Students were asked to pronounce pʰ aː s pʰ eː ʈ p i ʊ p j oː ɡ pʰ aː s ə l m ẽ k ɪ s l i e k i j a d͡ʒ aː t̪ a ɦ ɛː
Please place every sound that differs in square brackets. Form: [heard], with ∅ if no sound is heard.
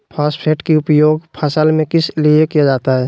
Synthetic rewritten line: pʰ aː s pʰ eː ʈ [k] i ʊ p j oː ɡ pʰ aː s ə l m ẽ k ɪ s l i e k i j a d͡ʒ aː t̪ a ɦ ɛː